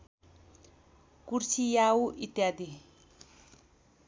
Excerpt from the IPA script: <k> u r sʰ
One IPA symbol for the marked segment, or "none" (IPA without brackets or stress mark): k